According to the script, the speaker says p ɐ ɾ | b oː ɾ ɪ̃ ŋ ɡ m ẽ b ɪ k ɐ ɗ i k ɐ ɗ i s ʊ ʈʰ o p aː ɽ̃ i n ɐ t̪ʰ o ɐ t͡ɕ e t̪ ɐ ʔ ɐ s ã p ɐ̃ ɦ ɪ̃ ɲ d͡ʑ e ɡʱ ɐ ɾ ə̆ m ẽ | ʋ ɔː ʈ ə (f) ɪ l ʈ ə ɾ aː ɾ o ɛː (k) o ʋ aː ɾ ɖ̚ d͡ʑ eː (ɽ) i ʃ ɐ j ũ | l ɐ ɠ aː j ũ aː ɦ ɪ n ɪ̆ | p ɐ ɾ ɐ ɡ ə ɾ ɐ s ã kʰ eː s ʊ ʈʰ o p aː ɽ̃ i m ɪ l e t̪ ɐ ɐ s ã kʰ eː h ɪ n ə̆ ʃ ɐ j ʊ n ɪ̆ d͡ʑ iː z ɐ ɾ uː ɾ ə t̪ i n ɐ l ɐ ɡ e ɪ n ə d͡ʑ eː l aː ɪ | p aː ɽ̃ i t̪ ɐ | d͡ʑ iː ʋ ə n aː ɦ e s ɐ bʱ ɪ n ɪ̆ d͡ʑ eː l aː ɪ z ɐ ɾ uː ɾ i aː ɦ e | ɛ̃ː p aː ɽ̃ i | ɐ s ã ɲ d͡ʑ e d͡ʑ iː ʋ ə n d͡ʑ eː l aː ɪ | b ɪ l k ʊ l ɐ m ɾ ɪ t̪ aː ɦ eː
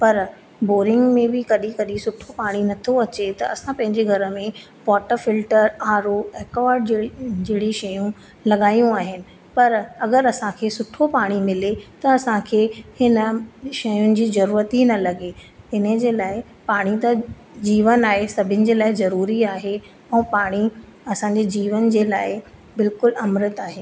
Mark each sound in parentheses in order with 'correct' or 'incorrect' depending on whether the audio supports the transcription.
correct, correct, correct

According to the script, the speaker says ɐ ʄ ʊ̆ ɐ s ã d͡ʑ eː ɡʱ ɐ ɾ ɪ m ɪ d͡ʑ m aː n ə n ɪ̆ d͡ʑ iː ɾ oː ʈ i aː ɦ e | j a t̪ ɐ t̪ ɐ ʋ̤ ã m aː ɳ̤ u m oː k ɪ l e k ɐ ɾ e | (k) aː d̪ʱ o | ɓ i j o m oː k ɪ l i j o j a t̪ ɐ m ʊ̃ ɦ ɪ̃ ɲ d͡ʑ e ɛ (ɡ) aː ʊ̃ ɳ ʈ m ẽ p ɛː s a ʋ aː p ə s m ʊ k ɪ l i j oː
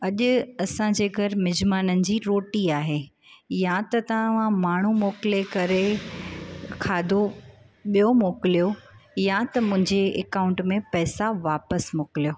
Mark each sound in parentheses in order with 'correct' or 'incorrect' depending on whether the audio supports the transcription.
incorrect: kʰ, incorrect: k

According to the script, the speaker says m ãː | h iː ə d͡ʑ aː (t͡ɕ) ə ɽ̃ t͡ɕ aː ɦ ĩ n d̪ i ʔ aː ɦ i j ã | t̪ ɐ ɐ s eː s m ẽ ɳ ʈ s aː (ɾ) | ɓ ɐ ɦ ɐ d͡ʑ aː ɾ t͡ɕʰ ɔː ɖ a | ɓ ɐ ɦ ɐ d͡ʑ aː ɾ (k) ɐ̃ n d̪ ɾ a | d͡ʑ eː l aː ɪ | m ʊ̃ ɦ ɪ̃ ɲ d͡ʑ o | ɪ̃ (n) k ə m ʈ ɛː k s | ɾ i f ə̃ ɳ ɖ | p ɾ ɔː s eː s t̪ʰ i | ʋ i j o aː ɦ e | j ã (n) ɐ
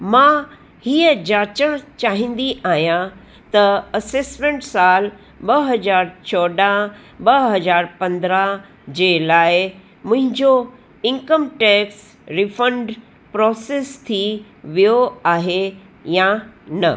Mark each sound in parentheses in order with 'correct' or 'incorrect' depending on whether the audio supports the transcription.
correct, incorrect: l, incorrect: p, incorrect: ŋ, correct

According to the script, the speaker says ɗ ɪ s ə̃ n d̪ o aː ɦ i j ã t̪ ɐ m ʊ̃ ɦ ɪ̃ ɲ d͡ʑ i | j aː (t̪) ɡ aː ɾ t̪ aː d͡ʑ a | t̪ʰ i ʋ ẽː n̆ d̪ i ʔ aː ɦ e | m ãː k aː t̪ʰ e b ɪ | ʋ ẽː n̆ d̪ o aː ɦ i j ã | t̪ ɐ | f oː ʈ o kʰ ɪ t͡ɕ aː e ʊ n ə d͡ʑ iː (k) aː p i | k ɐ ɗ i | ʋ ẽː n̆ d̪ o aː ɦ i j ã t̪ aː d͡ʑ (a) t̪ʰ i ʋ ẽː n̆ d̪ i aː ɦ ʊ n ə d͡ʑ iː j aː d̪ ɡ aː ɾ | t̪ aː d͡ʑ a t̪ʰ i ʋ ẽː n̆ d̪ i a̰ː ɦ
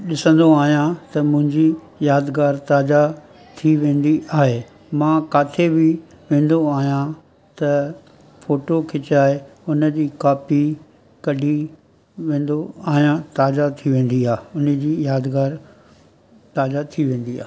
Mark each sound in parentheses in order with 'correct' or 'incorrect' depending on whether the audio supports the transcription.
incorrect: d̪, correct, correct

